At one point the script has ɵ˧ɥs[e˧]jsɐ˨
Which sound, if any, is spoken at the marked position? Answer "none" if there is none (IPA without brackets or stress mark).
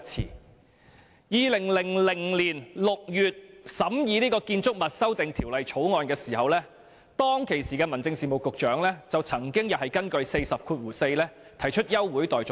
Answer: e˧